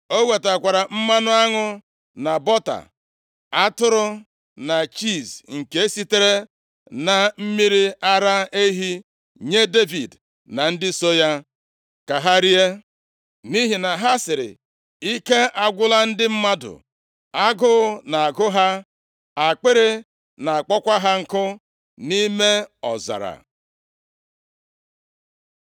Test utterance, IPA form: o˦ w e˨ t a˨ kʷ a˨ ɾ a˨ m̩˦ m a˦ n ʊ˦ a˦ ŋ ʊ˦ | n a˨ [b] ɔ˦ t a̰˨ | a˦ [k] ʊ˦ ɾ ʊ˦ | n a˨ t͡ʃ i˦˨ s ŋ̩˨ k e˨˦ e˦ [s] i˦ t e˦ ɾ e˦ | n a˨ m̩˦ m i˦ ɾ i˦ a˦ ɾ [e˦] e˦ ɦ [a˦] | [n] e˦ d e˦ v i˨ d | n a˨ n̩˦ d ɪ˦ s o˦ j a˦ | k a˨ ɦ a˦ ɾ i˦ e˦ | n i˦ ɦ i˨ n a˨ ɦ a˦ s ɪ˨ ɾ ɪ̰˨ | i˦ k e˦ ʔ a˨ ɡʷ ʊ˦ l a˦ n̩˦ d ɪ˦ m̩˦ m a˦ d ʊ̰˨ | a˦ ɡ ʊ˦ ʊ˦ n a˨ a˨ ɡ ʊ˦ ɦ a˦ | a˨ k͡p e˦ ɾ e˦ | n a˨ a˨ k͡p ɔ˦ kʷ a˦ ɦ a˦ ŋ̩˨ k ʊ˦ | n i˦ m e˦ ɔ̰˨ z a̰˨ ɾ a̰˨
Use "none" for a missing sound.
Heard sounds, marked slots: b, t, s, a˦, i˦, ɲ

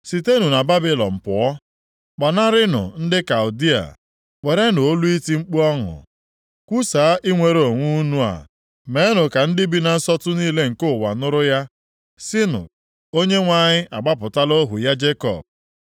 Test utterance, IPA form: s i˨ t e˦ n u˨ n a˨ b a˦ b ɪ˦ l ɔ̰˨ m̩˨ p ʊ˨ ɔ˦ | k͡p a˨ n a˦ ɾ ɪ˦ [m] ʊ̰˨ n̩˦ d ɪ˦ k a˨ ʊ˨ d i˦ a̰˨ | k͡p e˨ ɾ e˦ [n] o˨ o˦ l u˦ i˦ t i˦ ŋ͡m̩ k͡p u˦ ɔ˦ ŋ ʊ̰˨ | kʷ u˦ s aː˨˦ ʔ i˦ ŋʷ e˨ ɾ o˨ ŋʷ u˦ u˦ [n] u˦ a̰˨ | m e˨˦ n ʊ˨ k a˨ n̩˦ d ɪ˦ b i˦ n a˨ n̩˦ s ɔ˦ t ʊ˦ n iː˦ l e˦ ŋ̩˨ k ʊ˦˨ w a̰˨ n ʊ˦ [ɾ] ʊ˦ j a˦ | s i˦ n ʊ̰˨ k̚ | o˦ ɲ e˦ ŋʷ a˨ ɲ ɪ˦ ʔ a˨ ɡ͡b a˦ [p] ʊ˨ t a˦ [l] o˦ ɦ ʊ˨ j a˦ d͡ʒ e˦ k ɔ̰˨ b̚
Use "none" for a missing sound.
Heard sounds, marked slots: n, n, n, ɾ, p, l

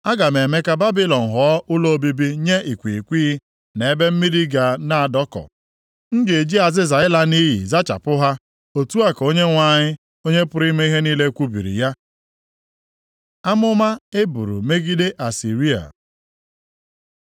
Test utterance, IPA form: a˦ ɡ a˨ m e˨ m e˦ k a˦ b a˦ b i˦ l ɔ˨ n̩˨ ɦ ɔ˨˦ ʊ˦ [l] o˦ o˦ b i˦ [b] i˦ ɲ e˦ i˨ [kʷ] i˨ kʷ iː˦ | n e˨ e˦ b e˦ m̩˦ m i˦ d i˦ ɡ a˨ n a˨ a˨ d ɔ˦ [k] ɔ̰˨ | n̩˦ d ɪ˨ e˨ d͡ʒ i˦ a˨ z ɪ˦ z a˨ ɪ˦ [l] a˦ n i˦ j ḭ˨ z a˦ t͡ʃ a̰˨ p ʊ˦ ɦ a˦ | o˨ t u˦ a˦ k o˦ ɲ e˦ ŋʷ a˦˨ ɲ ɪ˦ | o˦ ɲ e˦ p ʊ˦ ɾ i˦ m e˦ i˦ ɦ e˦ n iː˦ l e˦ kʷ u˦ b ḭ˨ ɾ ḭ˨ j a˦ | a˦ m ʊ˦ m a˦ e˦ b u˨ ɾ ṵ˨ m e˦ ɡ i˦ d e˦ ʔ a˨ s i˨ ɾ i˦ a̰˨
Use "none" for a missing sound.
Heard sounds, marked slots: l, b, kʷ, k, l

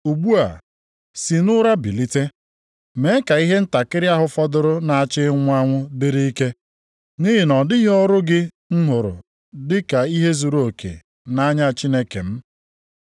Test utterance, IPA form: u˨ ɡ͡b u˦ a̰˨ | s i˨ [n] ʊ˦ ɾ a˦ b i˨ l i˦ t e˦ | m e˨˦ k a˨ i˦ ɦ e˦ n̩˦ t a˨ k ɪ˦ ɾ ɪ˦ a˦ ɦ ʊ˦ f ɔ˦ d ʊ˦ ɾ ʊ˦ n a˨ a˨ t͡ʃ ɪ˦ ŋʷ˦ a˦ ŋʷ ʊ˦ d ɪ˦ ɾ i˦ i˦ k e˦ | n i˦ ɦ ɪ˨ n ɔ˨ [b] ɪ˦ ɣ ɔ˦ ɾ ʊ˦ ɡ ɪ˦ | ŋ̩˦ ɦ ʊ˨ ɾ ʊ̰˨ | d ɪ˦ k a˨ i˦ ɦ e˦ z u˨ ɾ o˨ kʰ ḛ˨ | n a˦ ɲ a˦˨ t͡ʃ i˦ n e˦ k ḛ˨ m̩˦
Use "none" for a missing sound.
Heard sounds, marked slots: n, d

